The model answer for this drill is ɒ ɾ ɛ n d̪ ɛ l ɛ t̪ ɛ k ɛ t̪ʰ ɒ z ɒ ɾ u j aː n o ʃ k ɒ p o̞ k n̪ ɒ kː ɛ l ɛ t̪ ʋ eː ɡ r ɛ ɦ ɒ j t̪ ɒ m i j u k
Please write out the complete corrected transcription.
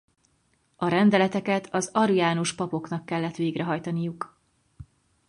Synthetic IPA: ɒ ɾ ɛ n d̪ ɛ l ɛ t̪ ɛ k ɛ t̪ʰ ɒ z ɒ ɾ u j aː n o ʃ p ɒ p o̞ k n̪ ɒ kː ɛ lː ɛ t̪ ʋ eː ɡ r ɛ ɦ ɒ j t̪ ɒ n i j u k